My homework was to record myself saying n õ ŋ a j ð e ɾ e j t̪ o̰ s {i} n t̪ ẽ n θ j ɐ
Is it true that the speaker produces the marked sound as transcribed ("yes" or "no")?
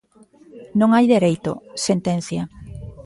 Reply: no